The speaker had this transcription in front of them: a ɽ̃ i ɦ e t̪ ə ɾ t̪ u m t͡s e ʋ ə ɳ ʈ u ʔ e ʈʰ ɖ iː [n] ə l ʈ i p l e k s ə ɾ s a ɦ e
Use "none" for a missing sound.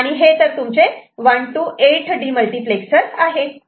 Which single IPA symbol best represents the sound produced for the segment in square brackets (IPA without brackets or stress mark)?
m